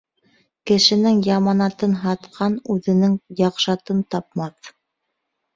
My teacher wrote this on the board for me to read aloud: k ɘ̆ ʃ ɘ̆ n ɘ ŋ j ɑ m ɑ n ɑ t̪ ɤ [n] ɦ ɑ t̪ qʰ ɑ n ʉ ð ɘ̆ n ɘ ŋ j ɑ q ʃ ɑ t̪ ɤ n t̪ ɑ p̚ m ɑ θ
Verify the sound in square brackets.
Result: correct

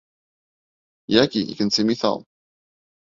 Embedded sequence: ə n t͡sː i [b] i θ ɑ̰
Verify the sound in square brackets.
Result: incorrect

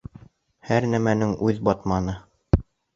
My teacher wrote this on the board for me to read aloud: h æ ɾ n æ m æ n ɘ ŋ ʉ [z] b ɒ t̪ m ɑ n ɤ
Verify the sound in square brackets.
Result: incorrect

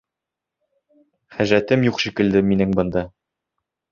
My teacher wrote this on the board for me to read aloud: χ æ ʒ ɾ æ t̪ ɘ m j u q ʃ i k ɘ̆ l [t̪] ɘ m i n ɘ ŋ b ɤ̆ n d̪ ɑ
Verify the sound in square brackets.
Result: incorrect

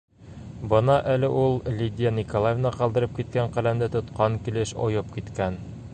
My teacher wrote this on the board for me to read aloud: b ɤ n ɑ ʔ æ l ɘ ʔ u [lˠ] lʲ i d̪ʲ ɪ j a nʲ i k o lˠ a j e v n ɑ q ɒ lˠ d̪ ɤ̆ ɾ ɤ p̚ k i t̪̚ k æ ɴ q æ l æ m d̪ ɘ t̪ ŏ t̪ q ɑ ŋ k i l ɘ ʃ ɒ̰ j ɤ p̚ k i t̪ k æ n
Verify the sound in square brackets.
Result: correct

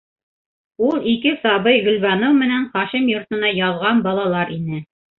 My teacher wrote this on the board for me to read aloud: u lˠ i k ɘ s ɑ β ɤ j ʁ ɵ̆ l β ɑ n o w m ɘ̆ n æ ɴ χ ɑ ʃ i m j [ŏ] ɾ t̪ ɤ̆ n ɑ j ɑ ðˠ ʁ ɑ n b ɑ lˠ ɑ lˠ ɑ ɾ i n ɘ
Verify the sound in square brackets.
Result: correct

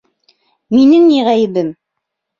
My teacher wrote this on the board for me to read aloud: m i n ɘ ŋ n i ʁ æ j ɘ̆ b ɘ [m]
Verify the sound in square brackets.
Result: correct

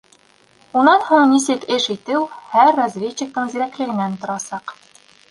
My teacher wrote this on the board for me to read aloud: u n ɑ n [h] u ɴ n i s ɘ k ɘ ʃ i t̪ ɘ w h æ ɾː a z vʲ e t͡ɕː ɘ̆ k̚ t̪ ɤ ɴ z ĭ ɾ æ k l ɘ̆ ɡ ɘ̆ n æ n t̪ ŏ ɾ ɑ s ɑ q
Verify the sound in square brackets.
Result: correct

